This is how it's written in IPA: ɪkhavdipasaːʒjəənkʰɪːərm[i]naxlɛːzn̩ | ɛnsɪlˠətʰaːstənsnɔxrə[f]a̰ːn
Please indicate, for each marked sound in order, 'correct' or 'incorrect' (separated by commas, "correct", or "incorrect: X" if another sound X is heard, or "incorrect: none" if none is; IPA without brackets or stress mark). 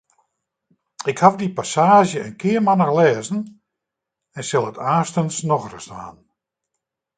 incorrect: a, incorrect: s